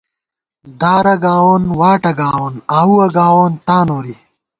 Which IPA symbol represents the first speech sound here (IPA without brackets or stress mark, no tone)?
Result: d̪